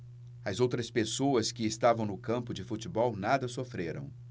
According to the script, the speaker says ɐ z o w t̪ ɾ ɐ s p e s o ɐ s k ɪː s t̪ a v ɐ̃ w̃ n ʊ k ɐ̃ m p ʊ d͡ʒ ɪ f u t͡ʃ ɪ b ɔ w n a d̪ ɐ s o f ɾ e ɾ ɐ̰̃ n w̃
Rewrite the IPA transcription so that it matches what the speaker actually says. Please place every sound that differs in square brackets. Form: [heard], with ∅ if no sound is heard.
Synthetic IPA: ɐ z o w t̪ ɾ ɐ s p e s o ɐ s k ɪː s t̪ a v ɐ̃ w̃ n ʊ k ɐ̃ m p ʊ d͡ʒ ɪ f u t͡ʃ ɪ b ɔ w n a d̪ ɐ s o f ɾ e ɾ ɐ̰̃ [∅] w̃